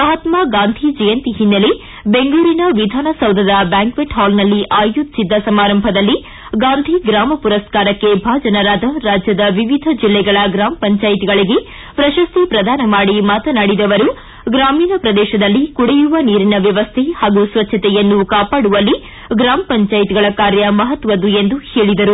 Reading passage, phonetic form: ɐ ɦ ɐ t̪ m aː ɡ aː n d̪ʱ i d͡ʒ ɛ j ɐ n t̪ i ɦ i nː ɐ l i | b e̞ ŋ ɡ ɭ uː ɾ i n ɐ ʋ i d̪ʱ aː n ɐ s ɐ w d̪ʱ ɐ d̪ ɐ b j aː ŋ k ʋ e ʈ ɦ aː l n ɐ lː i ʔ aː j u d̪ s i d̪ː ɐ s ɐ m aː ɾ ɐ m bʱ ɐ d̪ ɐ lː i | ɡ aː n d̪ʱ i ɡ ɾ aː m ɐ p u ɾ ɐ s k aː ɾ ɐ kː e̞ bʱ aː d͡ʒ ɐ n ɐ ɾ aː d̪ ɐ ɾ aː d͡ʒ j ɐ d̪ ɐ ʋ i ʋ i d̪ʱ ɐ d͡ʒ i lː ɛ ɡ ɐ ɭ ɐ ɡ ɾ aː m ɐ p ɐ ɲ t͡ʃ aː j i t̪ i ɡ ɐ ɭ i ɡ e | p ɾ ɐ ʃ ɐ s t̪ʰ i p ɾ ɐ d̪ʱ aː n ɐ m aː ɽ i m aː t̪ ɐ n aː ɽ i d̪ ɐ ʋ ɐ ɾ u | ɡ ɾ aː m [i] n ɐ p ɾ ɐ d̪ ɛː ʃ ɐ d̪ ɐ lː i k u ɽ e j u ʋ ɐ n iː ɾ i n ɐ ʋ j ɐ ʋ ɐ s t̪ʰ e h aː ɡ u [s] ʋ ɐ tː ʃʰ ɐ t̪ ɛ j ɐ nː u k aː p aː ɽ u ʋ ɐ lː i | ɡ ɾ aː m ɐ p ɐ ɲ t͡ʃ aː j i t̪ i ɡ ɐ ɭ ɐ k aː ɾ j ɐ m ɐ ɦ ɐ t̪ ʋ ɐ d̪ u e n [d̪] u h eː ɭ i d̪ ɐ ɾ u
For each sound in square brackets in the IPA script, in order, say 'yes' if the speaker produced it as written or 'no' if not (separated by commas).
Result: no, yes, yes